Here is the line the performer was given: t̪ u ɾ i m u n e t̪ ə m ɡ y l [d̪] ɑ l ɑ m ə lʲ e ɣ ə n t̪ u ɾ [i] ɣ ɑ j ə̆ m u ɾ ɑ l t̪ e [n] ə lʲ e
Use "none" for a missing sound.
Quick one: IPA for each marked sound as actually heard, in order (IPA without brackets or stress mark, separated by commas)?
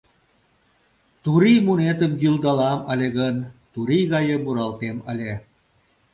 d̪, i, m